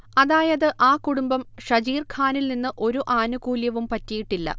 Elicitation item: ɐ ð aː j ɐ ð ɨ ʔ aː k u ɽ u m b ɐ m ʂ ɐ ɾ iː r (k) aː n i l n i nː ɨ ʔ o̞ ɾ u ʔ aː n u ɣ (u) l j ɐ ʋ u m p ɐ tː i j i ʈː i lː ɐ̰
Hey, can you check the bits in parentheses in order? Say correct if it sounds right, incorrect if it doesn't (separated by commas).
incorrect, incorrect